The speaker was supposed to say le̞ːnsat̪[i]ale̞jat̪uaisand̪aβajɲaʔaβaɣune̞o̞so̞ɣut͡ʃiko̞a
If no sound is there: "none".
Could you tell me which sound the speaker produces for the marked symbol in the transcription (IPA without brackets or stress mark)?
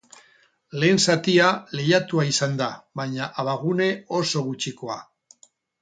i